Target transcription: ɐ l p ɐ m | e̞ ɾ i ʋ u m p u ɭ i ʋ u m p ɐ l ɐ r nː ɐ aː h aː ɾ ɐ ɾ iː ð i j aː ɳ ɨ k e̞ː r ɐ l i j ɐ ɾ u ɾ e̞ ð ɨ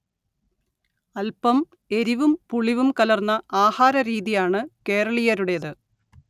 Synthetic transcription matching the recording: ɐ l p ɐ m | e̞ ɾ i ʋ u m p u ɭ i ʋ u m k ɐ l ɐ r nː ɐ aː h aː ɾ ɐ ɾ iː ð i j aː ɳ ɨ k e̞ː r ɐ ɭ i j ɐ ɾ u ɽ e̞ ð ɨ